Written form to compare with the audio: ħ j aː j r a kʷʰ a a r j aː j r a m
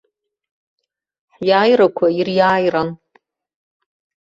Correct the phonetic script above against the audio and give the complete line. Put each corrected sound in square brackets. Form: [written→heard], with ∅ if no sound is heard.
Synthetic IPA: ħ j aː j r a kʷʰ a [a→i] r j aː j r a [m→n]